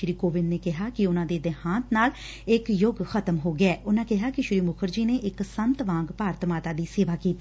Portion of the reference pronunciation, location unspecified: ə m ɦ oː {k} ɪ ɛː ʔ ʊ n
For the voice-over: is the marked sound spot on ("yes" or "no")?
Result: no